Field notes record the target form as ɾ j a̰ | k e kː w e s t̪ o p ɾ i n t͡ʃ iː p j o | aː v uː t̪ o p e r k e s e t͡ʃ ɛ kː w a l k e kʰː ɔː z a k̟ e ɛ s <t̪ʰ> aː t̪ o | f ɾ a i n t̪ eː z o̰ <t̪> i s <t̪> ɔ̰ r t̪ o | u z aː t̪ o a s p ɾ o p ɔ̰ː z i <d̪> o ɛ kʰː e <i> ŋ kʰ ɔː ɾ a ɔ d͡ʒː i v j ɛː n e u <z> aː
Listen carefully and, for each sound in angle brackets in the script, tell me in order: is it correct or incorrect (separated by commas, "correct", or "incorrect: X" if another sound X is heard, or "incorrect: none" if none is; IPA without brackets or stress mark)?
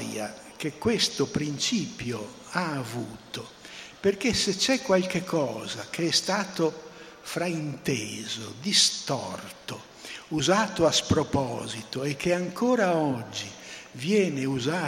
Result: incorrect: t̪, incorrect: d̪, correct, incorrect: t̪, incorrect: a, correct